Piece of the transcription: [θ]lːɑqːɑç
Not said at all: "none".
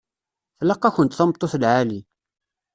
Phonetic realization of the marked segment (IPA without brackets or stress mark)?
θ